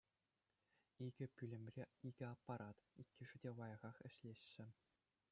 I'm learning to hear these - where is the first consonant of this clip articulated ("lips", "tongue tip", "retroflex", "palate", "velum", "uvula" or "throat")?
velum